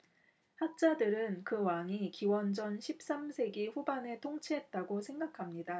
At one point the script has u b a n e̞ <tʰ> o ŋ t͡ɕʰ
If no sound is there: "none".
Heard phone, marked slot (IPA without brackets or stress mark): tʰ